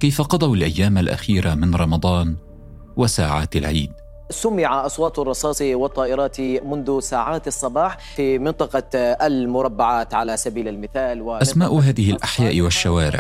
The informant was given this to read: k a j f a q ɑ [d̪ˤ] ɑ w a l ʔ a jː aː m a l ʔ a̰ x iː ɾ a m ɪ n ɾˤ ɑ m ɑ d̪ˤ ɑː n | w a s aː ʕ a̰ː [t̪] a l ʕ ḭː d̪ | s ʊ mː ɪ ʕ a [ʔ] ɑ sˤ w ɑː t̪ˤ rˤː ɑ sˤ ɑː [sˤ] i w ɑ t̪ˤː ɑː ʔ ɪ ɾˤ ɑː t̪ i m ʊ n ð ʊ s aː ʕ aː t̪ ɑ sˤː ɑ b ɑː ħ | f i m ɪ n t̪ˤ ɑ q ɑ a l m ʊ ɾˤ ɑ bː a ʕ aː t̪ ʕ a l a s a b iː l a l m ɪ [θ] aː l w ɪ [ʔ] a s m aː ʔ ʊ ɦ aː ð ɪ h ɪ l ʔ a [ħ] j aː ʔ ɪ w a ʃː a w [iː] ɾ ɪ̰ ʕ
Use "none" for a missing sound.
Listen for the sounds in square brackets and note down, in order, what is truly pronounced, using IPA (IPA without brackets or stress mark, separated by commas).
d̪ˤ, t̪, ʔ, sˤ, θ, ʔ, ħ, aː